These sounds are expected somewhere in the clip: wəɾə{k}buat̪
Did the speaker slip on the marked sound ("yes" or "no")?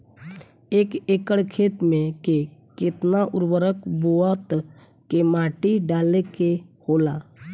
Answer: no